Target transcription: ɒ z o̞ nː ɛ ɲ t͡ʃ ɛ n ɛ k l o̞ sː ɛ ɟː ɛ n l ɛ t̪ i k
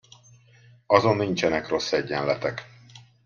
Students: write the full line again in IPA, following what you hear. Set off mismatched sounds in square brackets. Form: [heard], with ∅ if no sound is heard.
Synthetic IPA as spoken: ɒ z o̞ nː [i] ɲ t͡ʃ ɛ n ɛ k [r] o̞ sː ɛ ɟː ɛ n l ɛ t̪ [ɛ] k